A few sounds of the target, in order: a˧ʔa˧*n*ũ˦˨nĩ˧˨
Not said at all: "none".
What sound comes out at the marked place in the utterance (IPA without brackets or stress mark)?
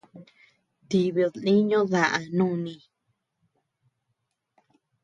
n